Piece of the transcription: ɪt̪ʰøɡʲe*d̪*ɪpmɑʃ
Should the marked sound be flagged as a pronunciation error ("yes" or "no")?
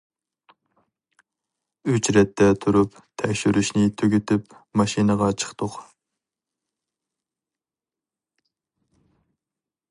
yes